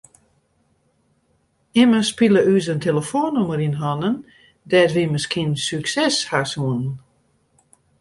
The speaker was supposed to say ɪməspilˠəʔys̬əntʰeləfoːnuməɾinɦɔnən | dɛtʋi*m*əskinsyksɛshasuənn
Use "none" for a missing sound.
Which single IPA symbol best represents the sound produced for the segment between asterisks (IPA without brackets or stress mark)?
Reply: m